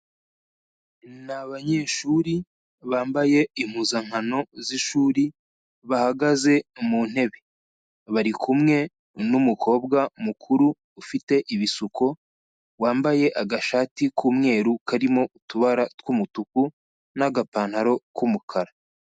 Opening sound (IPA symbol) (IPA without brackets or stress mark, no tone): n